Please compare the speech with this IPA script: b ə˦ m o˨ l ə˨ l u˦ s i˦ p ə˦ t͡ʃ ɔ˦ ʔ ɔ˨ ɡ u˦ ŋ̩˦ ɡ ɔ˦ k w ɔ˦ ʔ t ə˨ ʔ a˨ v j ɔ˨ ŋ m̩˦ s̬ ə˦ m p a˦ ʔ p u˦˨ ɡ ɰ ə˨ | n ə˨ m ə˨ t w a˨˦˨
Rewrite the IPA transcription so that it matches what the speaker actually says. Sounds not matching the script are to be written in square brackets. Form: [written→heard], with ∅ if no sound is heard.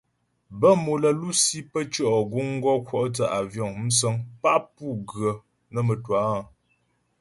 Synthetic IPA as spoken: b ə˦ m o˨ l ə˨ l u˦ s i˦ p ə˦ t͡ʃ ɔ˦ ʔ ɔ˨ ɡ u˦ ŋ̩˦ ɡ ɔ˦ k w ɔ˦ ʔ t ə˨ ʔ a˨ v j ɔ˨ ŋ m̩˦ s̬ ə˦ [m→ŋ] p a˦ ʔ p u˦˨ ɡ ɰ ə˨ | n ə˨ m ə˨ t w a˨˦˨